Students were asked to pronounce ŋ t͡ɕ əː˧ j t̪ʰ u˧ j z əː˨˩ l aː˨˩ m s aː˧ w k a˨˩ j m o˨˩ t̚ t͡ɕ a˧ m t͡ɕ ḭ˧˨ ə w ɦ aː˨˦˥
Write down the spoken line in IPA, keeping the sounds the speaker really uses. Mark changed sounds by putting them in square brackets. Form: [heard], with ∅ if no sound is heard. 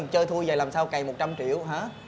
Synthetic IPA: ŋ t͡ɕ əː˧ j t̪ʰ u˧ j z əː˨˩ l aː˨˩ m s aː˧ w k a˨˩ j m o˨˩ t̚ t͡ɕ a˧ m t͡ɕ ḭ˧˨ ə w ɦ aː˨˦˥

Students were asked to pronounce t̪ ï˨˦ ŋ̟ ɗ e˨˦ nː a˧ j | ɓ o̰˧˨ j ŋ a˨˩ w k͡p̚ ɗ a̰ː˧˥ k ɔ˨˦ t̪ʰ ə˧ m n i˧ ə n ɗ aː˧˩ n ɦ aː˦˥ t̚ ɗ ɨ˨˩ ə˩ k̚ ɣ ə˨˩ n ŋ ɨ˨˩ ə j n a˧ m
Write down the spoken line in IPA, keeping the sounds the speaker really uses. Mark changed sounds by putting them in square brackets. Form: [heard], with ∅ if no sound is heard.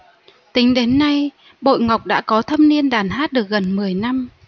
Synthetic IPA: t̪ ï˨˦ ŋ̟ ɗ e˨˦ nː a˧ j | ɓ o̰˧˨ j ŋ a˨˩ w k͡p̚ ɗ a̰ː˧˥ k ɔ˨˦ t̪ʰ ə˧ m n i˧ ə n ɗ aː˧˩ n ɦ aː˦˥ t̚ ɗ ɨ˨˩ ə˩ k̚ ɣ ə˨˩ n [m] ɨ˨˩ ə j n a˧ m

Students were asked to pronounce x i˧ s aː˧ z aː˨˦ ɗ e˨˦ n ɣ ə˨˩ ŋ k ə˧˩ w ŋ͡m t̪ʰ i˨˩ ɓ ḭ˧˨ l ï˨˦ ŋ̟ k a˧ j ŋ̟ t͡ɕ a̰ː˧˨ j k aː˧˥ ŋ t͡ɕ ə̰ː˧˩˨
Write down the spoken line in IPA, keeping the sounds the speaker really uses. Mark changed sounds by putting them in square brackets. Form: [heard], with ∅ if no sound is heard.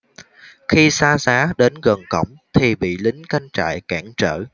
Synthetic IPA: x i˧ s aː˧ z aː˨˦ ɗ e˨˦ n ɣ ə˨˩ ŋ k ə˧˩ w ŋ͡m t̪ʰ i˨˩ ɓ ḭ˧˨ l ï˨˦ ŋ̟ k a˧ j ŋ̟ t͡ɕ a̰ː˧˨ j k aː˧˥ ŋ t͡ɕ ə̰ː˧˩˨

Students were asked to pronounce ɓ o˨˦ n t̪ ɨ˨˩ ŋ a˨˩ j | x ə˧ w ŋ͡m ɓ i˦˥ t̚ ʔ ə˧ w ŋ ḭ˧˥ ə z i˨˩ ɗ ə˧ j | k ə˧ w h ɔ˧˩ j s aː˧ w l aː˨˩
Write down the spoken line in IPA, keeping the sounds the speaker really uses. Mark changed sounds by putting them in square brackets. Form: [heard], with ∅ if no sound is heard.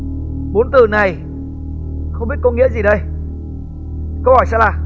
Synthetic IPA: ɓ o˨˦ n t̪ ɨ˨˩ [n] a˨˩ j | x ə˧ w ŋ͡m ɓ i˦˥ t̚ [k] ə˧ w ŋ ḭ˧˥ ə z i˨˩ ɗ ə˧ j | k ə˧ w h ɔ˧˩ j s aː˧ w l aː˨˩

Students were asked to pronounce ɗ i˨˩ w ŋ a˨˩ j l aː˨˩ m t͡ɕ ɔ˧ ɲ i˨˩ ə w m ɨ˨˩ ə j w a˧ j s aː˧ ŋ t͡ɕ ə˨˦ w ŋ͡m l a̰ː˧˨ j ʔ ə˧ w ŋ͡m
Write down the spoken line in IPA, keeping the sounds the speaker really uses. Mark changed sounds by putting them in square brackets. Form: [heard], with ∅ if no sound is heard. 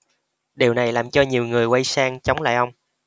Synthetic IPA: ɗ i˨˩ w [n] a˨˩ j l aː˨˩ m t͡ɕ ɔ˧ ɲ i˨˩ ə w [ŋ] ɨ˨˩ ə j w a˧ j s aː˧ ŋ t͡ɕ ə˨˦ w ŋ͡m l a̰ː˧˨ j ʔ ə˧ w ŋ͡m

